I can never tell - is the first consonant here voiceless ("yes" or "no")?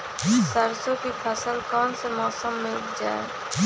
yes